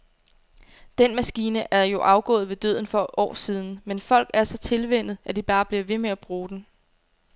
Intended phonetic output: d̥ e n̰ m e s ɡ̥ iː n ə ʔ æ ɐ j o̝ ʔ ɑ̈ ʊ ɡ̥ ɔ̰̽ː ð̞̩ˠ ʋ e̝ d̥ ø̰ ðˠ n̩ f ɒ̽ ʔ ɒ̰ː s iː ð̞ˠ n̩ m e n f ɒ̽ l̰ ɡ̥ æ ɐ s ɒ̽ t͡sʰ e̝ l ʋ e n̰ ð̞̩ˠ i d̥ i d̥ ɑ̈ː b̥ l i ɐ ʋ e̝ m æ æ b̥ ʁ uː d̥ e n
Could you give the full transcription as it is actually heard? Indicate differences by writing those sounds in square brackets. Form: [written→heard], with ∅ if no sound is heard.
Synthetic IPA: d̥ e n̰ m [e→æ] s ɡ̥ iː n ə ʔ æ ɐ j o̝ ʔ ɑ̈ ʊ ɡ̥ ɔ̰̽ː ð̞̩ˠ ʋ e̝ d̥ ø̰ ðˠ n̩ f ɒ̽ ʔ ɒ̰ː s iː ð̞ˠ n̩ m e n f ɒ̽ l̰ ɡ̥ æ ɐ s ɒ̽ t͡sʰ e̝ l ʋ e n̰ ð̞̩ˠ [i→æ] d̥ i [d̥→b̥] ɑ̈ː b̥ l i ɐ ʋ e̝ m [æ→e] æ b̥ ʁ uː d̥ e n